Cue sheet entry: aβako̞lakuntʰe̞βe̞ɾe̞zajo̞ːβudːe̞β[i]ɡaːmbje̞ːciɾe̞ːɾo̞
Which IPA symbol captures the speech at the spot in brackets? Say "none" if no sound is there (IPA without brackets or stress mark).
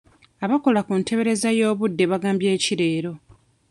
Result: a